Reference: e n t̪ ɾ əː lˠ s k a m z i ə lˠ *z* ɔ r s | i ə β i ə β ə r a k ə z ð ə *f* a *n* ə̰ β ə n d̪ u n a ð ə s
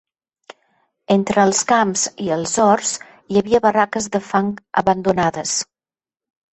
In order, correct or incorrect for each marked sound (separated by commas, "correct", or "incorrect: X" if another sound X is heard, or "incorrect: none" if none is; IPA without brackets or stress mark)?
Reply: correct, correct, incorrect: ŋ